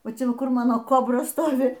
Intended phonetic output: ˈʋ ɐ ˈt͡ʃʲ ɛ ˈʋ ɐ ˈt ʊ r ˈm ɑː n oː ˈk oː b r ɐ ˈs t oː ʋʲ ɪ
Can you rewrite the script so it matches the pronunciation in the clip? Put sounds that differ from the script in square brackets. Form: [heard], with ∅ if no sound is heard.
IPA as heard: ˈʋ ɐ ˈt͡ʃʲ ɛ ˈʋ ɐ [ˈk] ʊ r ˈm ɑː n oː ˈk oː b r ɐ ˈs t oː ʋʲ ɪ

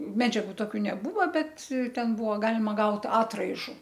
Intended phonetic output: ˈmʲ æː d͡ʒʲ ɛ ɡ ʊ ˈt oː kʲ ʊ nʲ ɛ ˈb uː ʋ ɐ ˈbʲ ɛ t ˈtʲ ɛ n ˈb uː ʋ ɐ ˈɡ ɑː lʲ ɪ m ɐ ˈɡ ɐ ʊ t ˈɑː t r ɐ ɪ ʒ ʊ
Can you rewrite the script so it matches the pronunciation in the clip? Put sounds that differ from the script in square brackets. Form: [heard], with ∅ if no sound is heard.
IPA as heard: ˈmʲ æː d͡ʒʲ ɛ ɡ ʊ ˈt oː kʲ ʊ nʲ ɛ ˈb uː ʋ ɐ ˈbʲ ɛ t ˈtʲ ɛ n ˈb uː ʋ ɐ ˈɡ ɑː lʲ ɪ m ɐ ˈɡ ɐ ʊ t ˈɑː t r ɐ ɪ ʒ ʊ

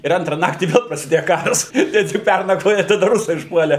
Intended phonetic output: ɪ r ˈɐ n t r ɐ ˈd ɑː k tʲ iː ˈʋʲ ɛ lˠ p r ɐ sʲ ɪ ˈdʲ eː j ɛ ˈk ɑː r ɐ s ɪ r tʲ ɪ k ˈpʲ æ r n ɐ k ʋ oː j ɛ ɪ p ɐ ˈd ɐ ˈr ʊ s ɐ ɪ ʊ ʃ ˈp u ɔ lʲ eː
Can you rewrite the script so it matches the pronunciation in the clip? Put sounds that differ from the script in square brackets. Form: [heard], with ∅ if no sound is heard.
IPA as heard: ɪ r ˈɐ n t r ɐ [ˈn] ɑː k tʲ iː ˈʋʲ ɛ lˠ p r ɐ sʲ ɪ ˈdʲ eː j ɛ ˈk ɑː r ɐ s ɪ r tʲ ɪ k ˈpʲ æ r n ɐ k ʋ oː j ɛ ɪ [t] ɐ ˈd ɐ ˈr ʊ s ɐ ɪ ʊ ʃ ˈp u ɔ lʲ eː

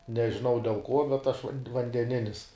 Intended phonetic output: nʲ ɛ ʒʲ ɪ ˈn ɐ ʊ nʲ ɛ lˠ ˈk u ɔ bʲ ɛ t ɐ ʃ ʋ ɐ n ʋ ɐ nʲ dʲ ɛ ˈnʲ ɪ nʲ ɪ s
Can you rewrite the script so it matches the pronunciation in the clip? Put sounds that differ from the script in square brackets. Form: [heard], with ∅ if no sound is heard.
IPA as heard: nʲ ɛ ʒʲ ɪ ˈn ɐ ʊ [dʲ] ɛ lˠ ˈk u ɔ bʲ ɛ t ɐ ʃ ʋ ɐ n ʋ ɐ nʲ dʲ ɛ ˈnʲ ɪ nʲ ɪ s

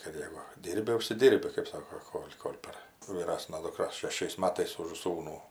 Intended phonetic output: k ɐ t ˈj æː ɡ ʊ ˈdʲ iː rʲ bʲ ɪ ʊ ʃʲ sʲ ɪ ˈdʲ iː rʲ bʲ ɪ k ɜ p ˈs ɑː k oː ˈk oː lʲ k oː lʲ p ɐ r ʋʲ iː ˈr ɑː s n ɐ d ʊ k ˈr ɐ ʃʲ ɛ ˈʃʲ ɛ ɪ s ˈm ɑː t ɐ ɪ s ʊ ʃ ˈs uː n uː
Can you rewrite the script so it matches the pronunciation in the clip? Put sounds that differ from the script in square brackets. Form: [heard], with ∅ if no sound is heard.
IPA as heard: k ɐ t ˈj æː ɡ ʊ ˈdʲ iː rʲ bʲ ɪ ʊ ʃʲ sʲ ɪ ˈdʲ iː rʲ bʲ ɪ k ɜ p ˈs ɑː k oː ˈk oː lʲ k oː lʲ p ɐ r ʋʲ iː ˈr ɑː s n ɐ d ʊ k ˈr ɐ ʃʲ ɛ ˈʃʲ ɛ ɪ s ˈm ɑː t ɐ ɪ s ʊ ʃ ˈs uː n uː

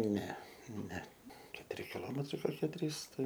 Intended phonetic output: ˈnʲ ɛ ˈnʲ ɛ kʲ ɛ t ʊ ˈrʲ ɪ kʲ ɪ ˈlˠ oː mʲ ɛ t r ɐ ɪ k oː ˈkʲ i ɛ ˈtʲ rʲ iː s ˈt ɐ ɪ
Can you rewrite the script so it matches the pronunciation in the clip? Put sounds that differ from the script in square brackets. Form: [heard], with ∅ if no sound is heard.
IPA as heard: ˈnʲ ɛ ˈnʲ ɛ kʲ ɛ t ʊ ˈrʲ ɪ kʲ ɪ ˈlˠ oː mʲ ɛ t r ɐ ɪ k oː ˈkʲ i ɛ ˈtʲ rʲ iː s ˈt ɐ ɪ

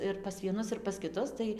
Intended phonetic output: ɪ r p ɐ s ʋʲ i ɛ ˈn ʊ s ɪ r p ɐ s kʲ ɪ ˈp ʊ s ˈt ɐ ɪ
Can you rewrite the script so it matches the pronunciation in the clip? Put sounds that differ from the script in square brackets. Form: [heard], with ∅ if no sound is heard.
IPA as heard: ɪ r p ɐ s ʋʲ i ɛ ˈn ʊ s ɪ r p ɐ s kʲ ɪ [ˈt] ʊ s ˈt ɐ ɪ

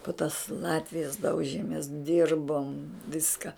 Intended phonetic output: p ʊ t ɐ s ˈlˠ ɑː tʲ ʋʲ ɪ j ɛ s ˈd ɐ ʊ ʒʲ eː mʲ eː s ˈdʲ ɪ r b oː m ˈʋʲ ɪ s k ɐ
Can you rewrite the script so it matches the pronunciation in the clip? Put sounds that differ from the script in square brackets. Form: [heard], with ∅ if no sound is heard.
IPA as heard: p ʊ t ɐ s ˈlˠ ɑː tʲ ʋʲ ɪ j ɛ s ˈd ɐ ʊ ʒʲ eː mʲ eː s ˈdʲ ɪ r b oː m ˈʋʲ ɪ s k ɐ

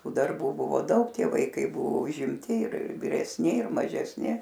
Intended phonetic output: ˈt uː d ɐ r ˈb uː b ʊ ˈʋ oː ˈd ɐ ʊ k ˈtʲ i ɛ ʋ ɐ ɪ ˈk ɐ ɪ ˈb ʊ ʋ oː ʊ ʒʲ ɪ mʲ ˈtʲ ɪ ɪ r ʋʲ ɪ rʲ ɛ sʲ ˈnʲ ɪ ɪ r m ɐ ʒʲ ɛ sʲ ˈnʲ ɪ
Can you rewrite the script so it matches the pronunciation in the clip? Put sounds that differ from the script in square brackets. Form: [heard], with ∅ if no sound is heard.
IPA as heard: ˈt uː d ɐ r ˈb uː b ʊ ˈʋ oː ˈd ɐ ʊ k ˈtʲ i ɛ ʋ ɐ ɪ ˈk ɐ ɪ ˈb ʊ ʋ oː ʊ ʒʲ ɪ mʲ ˈtʲ ɪ ɪ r ʋʲ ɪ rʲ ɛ sʲ ˈnʲ ɪ ɪ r m ɐ ʒʲ ɛ sʲ ˈnʲ ɪ

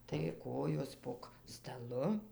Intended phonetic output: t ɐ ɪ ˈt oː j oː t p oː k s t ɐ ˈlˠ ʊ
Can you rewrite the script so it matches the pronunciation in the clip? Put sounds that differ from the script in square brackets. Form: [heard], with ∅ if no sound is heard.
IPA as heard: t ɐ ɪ [ˈk] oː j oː [s] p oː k s t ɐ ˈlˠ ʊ

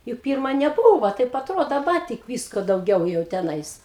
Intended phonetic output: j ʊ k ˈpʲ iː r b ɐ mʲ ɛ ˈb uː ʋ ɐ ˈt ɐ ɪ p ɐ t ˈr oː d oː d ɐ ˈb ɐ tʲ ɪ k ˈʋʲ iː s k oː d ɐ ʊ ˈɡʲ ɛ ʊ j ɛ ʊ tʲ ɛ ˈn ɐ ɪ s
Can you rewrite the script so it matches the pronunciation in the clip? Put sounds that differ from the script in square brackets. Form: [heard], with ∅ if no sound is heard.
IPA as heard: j ʊ k ˈpʲ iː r [m] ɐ [nʲ] ɛ ˈb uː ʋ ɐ ˈt ɐ ɪ p ɐ t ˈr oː d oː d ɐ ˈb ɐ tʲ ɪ k ˈʋʲ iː s k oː d ɐ ʊ ˈɡʲ ɛ ʊ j ɛ ʊ tʲ ɛ ˈn ɐ ɪ s

